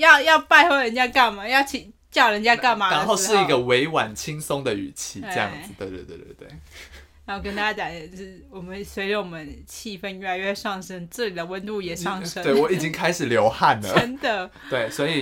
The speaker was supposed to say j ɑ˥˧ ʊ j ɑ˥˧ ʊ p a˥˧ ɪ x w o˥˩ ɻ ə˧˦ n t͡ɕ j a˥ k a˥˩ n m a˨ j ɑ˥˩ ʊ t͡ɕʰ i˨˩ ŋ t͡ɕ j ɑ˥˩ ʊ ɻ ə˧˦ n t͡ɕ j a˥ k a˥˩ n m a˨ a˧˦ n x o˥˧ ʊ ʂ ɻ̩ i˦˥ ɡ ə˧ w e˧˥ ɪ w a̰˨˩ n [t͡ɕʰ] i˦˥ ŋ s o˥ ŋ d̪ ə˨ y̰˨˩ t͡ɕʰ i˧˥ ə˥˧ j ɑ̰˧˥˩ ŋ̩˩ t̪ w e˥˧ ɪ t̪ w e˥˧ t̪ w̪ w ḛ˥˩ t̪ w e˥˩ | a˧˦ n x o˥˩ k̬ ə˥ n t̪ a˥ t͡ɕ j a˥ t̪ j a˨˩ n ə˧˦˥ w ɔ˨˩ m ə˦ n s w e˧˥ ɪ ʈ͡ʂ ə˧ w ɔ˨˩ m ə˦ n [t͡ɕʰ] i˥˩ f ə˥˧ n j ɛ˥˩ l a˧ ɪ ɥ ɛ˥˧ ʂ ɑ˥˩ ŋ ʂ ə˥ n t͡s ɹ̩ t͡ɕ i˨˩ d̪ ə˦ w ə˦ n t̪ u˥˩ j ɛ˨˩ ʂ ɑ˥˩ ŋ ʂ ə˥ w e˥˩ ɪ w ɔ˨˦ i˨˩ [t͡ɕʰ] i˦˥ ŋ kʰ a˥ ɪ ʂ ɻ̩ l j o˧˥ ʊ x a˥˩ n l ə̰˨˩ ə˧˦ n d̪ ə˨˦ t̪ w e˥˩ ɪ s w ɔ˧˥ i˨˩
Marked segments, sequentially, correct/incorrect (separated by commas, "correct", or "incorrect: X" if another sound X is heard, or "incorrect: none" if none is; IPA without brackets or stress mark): correct, correct, incorrect: t͡ɕ